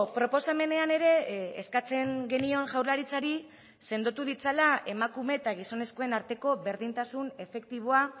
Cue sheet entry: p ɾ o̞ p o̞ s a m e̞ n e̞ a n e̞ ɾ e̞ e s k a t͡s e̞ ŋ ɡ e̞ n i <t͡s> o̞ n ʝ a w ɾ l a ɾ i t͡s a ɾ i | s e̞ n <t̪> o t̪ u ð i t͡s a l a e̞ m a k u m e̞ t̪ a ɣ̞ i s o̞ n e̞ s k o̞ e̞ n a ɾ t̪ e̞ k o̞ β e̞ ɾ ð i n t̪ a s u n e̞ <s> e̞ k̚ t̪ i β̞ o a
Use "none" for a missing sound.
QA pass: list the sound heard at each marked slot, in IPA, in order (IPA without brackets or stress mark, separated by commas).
none, d̪, f